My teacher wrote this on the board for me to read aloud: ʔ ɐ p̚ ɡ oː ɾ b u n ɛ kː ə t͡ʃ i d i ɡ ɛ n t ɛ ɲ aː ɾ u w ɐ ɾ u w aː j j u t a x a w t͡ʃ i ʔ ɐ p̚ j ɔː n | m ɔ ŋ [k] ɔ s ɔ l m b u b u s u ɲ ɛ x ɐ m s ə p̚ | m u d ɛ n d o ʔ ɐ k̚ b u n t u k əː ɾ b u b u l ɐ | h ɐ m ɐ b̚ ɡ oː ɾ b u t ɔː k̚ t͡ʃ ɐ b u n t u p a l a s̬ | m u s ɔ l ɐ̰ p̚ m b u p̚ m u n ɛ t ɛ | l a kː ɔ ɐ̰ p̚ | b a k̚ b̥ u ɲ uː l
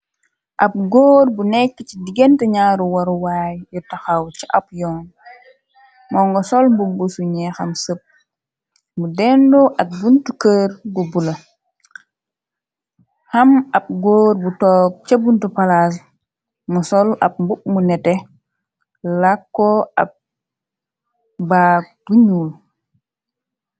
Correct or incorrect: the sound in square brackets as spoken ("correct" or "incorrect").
incorrect